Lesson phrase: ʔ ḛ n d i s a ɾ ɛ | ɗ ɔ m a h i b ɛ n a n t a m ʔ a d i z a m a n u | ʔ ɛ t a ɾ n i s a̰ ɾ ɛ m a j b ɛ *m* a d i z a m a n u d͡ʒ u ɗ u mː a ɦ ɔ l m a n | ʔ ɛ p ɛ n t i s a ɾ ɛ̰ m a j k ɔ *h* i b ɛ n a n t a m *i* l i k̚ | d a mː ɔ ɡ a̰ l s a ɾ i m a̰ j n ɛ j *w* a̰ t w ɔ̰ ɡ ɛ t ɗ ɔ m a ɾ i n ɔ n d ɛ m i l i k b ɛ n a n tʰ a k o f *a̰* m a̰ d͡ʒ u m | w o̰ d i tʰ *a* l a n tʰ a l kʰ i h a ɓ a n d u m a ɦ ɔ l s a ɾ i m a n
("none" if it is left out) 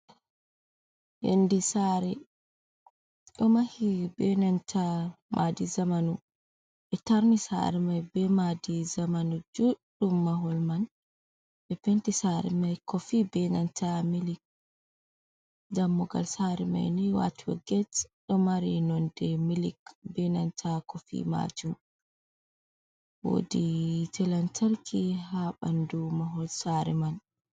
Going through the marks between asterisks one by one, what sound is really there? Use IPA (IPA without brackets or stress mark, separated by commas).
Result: m, f, i, w, ḭ, ɛ